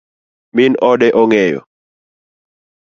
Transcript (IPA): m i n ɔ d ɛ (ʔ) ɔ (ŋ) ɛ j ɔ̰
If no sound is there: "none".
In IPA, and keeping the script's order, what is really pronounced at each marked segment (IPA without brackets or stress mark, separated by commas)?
ʔ, ŋ